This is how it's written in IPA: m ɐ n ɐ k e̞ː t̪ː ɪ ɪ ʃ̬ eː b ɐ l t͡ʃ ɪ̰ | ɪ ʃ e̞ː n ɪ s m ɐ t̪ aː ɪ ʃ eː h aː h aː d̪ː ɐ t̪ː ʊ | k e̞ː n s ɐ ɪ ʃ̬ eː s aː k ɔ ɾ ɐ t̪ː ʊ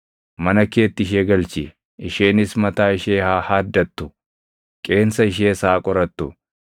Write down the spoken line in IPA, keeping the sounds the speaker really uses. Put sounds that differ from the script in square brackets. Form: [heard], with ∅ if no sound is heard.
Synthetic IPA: m ɐ n ɐ k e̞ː t̪ː ɪ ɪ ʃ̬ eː [ɡ] ɐ l t͡ʃ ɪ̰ | ɪ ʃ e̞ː n ɪ s m ɐ t̪ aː ɪ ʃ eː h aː h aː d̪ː ɐ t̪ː ʊ | [kʼ] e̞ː n s ɐ ɪ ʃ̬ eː s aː [kʼ] ɔ ɾ ɐ t̪ː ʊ

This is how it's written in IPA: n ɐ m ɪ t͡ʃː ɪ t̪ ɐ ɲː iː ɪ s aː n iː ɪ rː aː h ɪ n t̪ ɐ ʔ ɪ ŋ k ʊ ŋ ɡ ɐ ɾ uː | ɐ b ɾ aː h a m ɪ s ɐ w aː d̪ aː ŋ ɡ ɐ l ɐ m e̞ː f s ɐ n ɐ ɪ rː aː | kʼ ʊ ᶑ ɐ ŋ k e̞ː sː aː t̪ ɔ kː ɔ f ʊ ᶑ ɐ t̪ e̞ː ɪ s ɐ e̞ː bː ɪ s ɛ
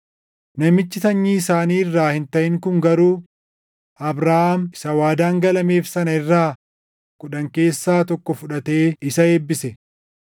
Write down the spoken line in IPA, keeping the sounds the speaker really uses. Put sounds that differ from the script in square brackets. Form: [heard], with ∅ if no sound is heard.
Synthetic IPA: n ɐ m ɪ t͡ʃː ɪ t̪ ɐ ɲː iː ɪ s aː n iː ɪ rː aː h ɪ n t̪ ɐ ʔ ɪ ŋ k ʊ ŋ ɡ ɐ ɾ uː | ɐ b ɾ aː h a m ɪ s ɐ w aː d̪ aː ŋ ɡ ɐ l ɐ m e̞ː f s ɐ n ɐ ɪ rː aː | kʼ ʊ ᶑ ɐ ŋ k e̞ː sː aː t̪ ɔ kː ɔ f ʊ ᶑ ɐ t̪ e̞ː ɪ s ɐ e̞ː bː ɪ s ɛ

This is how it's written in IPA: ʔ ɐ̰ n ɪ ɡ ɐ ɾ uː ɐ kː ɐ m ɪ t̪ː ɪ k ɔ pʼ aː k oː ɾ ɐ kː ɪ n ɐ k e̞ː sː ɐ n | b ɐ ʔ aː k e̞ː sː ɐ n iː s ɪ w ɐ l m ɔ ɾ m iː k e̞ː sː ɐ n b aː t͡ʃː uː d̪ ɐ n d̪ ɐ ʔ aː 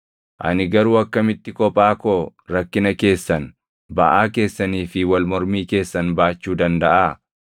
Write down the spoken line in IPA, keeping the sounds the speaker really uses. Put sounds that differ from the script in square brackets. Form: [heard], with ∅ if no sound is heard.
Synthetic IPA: ʔ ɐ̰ n ɪ ɡ ɐ ɾ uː ɐ kː ɐ m ɪ t̪ː ɪ k ɔ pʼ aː k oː ɾ ɐ kː ɪ n ɐ k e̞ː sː ɐ n | b ɐ ʔ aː k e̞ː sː ɐ n iː [f] ɪ w ɐ l m ɔ ɾ m iː k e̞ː sː ɐ n b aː t͡ʃː uː d̪ ɐ n d̪ ɐ ʔ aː

